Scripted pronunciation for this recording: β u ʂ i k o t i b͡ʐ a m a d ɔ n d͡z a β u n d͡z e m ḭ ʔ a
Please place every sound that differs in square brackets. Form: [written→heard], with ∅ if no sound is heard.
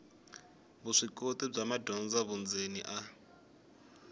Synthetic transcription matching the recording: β u ʂ i k o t i b͡ʐ a m a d ɔ n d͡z a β u n d͡z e [m→n] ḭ ʔ a